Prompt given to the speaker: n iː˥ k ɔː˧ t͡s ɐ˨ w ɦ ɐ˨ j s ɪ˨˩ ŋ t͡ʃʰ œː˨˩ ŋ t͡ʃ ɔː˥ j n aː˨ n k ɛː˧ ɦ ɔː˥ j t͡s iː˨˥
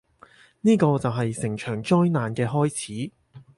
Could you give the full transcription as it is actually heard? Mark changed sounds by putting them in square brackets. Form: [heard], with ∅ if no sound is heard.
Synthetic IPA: n iː˥ k ɔː˧ t͡s ɐ˨ w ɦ ɐ˨ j s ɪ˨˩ ŋ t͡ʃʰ œː˨˩ ŋ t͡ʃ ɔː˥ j n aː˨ n k ɛː˧ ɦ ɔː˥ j [t͡sʰ] iː˨˥